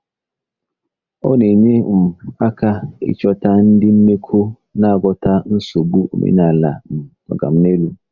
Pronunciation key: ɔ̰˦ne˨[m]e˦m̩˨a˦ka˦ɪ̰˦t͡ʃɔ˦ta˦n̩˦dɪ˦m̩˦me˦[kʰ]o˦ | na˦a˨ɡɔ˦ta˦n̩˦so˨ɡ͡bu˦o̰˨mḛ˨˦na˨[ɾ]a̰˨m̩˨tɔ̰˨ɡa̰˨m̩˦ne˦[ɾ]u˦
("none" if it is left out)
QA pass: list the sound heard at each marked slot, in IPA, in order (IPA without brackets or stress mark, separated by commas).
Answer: ɲ, kʰ, l, l